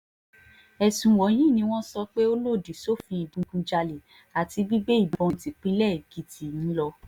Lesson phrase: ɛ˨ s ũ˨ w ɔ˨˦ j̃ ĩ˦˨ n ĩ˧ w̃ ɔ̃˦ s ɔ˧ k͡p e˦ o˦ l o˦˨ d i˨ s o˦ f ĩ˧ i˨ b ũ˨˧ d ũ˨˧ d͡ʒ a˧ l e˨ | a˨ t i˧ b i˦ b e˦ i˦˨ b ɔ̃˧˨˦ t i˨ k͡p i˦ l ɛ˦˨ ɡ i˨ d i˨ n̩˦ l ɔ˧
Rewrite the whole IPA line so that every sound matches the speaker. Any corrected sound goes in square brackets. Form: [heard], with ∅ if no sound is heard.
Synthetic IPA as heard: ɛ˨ s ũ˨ w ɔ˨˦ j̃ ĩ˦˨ n ĩ˧ w̃ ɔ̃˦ s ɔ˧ k͡p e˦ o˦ l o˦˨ d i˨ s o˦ f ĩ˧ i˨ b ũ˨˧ [ɡ] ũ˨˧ d͡ʒ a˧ l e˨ | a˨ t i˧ b i˦ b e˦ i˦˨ b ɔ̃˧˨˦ t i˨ k͡p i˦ l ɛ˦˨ ɡ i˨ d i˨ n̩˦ l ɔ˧